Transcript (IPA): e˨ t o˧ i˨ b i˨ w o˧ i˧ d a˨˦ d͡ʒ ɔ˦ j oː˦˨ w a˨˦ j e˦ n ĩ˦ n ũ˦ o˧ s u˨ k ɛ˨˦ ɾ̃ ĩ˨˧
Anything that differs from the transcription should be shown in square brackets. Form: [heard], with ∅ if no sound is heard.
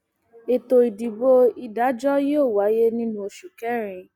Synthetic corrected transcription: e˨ t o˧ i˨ [d] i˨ [b] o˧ i˧ d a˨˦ d͡ʒ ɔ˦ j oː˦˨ w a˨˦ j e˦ n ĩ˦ n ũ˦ o˧ [ʃ] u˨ k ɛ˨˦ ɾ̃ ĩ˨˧